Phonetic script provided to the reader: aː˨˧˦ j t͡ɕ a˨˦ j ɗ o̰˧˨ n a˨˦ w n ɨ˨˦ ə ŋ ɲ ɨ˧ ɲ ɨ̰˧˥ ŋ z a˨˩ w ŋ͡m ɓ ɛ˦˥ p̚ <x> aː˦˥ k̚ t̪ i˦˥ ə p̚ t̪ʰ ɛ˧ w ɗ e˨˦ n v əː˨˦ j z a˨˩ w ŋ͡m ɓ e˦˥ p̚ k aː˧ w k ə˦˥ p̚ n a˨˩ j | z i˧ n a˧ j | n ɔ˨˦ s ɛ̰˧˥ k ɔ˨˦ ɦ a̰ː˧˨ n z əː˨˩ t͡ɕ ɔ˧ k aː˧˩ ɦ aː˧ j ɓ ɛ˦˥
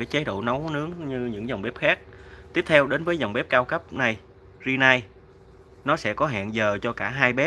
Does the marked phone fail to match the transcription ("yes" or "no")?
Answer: no